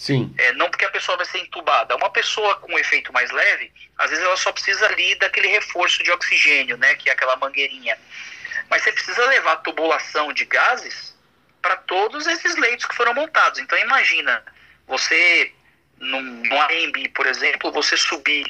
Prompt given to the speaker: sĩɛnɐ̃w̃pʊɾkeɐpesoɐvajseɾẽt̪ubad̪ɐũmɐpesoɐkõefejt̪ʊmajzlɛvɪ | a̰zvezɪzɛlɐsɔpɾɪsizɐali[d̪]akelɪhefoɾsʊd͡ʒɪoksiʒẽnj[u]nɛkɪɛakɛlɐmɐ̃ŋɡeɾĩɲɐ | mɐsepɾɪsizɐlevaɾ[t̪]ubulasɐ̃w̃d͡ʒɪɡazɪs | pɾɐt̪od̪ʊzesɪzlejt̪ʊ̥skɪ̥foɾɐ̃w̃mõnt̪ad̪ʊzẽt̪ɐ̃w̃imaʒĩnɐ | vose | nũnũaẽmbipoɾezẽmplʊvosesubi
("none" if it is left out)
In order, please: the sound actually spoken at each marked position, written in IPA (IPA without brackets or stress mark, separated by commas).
d̪, ʊ, t̪